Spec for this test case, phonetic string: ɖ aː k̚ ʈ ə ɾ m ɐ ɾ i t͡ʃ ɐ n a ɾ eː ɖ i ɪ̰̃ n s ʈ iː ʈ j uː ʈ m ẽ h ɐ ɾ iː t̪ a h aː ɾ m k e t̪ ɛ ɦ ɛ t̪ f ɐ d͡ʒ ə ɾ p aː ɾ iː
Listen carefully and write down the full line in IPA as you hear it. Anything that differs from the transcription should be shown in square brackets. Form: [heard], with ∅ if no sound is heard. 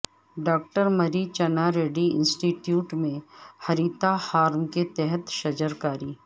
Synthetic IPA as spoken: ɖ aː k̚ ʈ ə ɾ m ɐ ɾ i t͡ʃ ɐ n a ɾ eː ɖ i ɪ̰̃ n s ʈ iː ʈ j uː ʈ m ẽ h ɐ ɾ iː t̪ a h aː ɾ m k e t̪ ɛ ɦ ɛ t̪ [ʃ] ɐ d͡ʒ ə ɾ [k] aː ɾ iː